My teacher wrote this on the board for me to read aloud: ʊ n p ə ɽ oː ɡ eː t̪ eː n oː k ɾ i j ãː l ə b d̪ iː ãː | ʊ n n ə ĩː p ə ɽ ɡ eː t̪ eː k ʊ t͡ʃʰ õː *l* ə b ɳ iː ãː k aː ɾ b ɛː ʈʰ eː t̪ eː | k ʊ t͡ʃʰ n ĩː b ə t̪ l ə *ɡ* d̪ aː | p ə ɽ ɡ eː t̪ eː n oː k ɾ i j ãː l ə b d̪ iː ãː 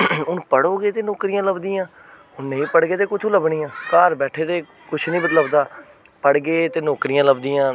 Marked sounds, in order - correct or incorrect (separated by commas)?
correct, incorrect